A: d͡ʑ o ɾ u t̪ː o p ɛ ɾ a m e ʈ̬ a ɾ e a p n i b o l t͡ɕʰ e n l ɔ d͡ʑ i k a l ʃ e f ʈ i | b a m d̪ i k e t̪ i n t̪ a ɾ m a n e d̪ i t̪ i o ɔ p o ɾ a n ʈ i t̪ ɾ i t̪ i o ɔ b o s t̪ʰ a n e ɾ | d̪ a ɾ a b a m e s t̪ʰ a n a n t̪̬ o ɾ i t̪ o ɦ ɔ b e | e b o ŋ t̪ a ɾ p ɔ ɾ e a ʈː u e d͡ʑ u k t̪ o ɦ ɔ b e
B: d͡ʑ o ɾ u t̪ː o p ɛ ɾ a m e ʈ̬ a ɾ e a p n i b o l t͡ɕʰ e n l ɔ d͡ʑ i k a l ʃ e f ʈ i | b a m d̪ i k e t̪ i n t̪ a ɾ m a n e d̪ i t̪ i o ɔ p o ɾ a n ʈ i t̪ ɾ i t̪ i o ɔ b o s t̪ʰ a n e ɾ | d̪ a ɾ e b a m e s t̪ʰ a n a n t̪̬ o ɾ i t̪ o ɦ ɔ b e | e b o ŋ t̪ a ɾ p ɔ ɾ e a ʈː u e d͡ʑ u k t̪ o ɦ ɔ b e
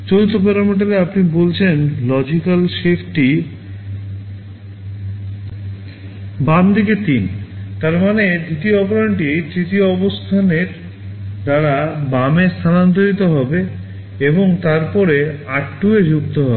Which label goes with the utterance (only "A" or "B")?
A